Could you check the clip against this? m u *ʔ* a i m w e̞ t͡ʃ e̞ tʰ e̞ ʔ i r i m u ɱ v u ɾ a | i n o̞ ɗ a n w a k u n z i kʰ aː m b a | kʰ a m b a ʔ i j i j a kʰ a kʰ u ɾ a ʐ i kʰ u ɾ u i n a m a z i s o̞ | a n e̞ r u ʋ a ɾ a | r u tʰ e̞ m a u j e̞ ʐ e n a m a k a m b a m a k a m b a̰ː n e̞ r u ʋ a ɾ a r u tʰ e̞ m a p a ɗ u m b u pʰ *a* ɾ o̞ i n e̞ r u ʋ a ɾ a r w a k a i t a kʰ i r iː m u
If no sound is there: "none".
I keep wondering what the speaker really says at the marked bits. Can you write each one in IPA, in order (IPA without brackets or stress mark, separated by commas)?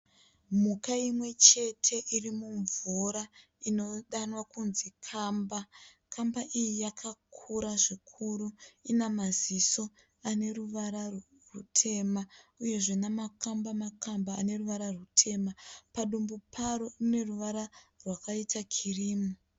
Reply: k, a